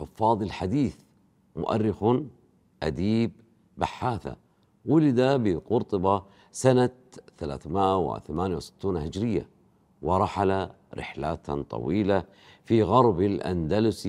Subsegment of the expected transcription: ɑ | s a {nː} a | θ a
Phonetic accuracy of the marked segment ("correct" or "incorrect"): incorrect